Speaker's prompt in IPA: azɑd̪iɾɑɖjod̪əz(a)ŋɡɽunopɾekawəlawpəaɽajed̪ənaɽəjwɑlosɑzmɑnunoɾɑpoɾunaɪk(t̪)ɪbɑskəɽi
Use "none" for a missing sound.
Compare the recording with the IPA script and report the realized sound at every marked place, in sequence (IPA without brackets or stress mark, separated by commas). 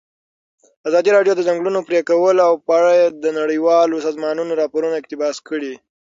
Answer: a, t̪